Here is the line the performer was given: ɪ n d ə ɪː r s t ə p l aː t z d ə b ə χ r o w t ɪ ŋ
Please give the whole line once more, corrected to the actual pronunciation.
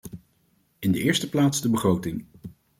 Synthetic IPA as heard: ɪ n d ə ɪː ɹ s t ə p l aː t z d ə b ə χ r o w t ɪ ŋ